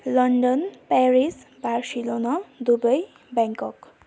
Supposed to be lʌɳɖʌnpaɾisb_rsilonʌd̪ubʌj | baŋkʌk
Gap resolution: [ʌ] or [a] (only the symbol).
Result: a